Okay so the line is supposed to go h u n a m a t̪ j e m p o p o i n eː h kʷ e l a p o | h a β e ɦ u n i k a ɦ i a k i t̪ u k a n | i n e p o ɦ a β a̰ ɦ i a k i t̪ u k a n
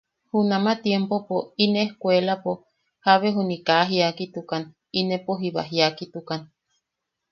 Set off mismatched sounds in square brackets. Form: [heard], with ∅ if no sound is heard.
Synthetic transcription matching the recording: h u n a m a t̪ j e m p o p o i n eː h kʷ e l a p o | h a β e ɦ u n i k a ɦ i a k i t̪ u k a n | i n e p o ɦ [i] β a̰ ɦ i a k i t̪ u k a n